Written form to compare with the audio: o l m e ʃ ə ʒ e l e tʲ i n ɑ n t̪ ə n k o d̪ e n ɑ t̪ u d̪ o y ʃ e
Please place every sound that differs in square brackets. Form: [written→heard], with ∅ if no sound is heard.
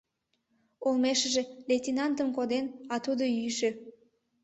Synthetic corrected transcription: o l m e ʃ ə ʒ e l e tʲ i n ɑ n t̪ ə [n→m] k o d̪ e n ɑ t̪ u d̪ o y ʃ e